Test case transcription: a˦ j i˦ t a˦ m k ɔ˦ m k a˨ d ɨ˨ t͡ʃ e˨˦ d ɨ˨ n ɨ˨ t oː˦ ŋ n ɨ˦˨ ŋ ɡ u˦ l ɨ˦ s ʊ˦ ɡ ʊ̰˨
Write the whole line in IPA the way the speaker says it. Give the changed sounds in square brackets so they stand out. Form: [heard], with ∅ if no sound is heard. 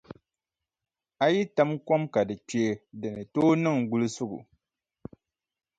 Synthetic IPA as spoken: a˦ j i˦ t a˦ m k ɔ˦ m k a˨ d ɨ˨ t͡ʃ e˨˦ d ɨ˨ n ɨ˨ t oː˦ [∅] n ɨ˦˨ ŋ ɡ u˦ l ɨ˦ s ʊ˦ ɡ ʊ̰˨